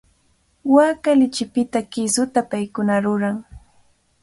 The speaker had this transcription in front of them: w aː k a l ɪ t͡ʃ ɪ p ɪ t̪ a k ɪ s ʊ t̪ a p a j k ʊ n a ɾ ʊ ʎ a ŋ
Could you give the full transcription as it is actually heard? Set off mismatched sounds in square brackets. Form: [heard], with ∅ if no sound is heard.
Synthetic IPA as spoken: w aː k a l ɪ t͡ʃ ɪ p ɪ t̪ a k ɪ s ʊ t̪ a p a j k ʊ n a ɾ ʊ [ɾ] a ŋ

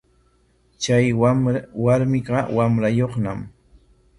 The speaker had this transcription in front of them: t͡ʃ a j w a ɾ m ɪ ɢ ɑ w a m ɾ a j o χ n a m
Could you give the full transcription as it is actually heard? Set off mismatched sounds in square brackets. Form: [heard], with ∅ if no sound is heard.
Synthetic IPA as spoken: t͡ʃ a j w a ɾ m ɪ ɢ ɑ w a m ɾ a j o χ n a m

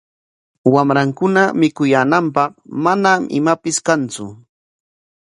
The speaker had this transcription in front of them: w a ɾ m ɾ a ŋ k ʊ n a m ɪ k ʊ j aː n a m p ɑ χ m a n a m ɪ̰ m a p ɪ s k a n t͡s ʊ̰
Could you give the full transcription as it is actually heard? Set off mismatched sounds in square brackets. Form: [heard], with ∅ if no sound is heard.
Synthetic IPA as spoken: w a [∅] m ɾ a ŋ k ʊ n a m ɪ k ʊ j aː n a m p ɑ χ m a n a m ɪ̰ m a p ɪ s k a n t͡s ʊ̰

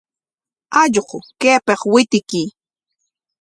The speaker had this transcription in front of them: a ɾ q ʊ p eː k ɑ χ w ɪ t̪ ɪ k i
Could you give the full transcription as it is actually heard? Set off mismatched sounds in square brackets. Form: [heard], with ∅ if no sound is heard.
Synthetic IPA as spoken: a [ʎ] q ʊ [k] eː [p] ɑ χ w ɪ t̪ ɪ k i

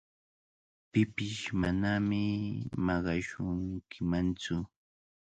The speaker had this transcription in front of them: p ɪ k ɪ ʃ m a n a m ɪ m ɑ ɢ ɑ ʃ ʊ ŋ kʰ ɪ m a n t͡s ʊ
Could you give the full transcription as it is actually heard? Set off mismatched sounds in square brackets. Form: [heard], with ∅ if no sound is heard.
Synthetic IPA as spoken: p ɪ [p] ɪ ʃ m a n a m ɪ m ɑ ɢ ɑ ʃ ʊ ŋ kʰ ɪ m a n t͡s ʊ

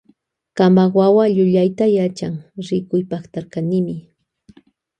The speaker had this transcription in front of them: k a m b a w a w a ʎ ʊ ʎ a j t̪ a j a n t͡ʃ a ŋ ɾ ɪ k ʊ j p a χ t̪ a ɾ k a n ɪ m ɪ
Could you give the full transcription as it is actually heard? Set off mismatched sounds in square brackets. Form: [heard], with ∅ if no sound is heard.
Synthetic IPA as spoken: k a m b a w a w a ʎ ʊ ʎ a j t̪ a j a [∅] t͡ʃ a ŋ ɾ ɪ k ʊ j p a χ t̪ a ɾ k a n ɪ m ɪ

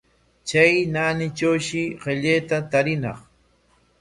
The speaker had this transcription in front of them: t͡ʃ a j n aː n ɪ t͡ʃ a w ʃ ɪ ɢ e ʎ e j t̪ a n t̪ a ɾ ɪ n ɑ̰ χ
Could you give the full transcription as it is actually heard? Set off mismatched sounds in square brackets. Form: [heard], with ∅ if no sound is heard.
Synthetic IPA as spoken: t͡ʃ a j n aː n ɪ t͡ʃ a w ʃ ɪ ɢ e ʎ e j t̪ a [∅] t̪ a ɾ ɪ n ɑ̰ χ

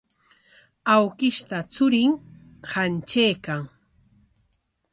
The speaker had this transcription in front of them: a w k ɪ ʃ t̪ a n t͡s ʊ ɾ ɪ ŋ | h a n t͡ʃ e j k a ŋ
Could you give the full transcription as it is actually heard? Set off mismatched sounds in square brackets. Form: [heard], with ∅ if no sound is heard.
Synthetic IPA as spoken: a w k ɪ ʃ t̪ a [∅] t͡s ʊ ɾ ɪ ŋ | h a n t͡ʃ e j k a ŋ

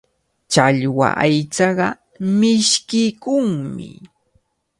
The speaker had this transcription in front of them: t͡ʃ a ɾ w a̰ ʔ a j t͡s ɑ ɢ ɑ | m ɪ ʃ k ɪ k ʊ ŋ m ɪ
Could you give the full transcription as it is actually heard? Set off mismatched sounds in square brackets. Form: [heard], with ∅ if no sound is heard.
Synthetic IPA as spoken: t͡ʃ a [ʎ] w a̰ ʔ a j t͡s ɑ ɢ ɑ | m ɪ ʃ k ɪ k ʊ ŋ m ɪ

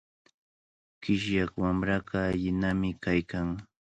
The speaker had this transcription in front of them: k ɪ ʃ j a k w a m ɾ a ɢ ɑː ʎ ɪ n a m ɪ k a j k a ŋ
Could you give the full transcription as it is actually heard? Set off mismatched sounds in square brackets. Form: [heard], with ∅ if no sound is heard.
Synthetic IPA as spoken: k ɪ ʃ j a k w a m ɾ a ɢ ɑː ʎ ɪ n a m ɪ k a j k a ŋ

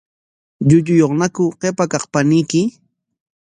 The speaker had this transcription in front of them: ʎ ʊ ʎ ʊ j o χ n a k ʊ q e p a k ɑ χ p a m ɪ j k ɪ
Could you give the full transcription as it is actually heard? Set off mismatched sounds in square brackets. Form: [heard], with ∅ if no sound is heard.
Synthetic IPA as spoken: ʎ ʊ ʎ ʊ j o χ n a k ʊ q e p a k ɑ χ p a [n] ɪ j k ɪ

